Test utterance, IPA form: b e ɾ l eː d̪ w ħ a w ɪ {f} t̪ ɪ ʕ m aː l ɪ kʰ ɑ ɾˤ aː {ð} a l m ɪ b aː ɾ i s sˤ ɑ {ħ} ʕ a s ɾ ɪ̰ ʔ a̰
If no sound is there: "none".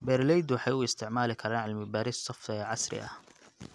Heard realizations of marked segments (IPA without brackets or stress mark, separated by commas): s, ʕ, f